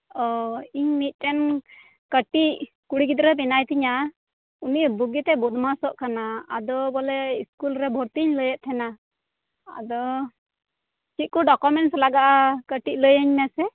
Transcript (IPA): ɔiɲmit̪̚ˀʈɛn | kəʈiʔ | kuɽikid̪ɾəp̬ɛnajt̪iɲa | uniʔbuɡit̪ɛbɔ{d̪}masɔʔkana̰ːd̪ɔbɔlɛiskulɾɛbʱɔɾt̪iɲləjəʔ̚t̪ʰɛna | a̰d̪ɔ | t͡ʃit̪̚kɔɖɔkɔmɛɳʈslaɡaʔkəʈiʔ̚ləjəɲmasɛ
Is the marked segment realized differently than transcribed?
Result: no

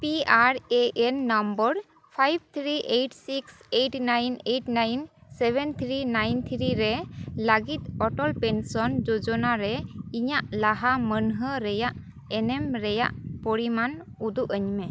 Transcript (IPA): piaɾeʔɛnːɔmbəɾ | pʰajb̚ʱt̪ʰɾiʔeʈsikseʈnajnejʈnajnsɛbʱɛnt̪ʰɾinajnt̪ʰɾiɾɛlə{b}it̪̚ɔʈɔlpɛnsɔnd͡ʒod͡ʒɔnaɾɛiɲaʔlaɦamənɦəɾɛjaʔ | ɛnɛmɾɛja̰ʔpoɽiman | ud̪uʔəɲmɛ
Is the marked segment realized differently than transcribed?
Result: yes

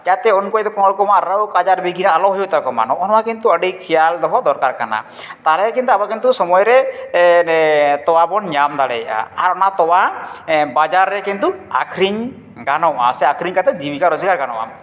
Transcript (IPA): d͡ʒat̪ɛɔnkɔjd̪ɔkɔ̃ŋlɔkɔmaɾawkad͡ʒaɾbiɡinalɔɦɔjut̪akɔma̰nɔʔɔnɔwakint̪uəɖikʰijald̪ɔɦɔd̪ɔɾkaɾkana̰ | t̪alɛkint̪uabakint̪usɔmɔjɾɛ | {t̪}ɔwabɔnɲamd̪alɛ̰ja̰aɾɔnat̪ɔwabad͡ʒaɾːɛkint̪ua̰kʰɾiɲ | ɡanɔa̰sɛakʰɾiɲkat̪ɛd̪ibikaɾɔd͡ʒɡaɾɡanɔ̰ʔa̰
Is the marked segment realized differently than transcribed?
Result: no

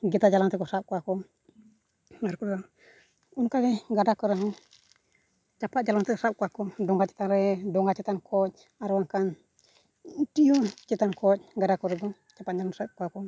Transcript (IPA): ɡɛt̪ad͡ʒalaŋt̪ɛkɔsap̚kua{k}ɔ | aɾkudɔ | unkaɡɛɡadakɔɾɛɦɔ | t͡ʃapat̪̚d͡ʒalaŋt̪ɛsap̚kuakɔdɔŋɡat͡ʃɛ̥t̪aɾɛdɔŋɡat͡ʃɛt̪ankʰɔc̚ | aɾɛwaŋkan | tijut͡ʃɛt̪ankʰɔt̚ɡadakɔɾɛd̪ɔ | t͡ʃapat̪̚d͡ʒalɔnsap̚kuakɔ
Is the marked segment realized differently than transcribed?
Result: no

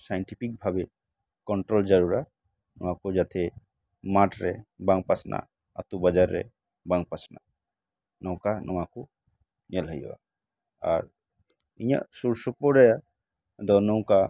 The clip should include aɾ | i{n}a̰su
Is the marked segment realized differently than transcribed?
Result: yes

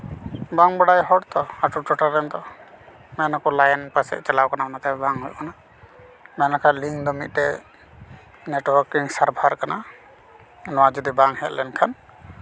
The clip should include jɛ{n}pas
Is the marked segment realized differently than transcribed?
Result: no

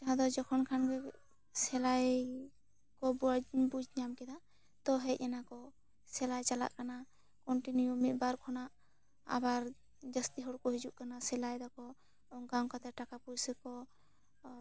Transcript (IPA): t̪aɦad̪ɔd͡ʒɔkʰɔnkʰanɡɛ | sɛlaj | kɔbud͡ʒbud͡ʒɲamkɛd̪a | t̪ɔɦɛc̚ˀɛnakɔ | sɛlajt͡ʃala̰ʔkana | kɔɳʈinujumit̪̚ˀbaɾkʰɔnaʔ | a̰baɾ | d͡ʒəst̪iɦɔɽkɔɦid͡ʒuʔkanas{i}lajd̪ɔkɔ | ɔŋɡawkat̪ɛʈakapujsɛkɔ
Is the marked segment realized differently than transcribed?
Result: yes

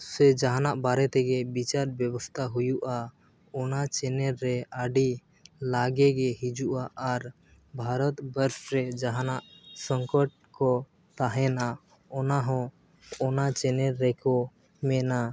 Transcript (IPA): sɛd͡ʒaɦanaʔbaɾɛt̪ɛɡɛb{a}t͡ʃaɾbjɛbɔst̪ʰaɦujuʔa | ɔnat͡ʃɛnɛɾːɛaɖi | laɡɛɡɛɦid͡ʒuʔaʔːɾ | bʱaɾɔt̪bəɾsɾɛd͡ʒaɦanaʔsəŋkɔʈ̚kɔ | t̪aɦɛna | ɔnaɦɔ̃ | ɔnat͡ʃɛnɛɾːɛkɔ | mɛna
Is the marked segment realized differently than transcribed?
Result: yes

